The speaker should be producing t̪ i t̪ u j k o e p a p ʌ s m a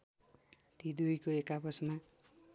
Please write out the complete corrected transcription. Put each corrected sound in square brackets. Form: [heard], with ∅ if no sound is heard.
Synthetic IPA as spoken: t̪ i [d̪] u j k o e [k] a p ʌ s m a